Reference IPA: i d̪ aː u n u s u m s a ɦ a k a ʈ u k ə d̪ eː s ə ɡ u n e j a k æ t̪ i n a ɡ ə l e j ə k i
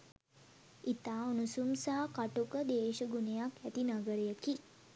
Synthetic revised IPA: i t̪ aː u n u s u m s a ɦ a k a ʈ u k ə d̪ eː ʃ ə ɡ u n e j a k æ t̪ i n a ɡ ə ɾ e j ə k i